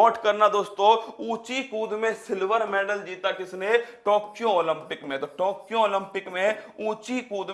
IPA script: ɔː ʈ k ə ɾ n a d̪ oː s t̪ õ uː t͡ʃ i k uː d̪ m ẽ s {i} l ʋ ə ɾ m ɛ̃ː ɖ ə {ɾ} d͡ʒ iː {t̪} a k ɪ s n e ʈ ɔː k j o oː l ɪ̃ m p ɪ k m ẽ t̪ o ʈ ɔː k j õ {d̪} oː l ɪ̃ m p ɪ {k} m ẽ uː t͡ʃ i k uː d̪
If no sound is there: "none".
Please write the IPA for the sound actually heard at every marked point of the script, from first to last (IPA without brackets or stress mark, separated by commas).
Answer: ɪ, l, t̪, none, k